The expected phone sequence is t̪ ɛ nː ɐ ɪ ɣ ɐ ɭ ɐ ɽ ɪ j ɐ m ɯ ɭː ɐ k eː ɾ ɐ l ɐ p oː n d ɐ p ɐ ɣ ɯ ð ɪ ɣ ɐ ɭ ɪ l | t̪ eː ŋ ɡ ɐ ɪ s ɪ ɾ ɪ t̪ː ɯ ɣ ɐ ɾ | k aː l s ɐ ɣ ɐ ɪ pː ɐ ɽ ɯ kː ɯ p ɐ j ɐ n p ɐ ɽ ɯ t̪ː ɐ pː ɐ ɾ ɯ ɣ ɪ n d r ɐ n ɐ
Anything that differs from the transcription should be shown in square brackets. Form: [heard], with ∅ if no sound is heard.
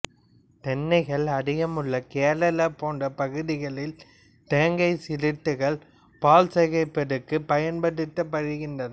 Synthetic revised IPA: t̪ ɛ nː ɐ ɪ ɣ ɐ ɭ ɐ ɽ ɪ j ɐ m ɯ ɭː ɐ k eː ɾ ɐ l ɐ p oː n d ɐ p ɐ ɣ ɯ ð ɪ ɣ ɐ ɭ ɪ l | t̪ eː ŋ ɡ ɐ ɪ s ɪ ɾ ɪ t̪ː ɯ ɣ ɐ [ɭ] | [p] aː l s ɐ ɣ ɐ ɪ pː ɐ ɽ ɯ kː ɯ p ɐ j ɐ n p ɐ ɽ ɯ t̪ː ɐ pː ɐ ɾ ɯ ɣ ɪ n d r ɐ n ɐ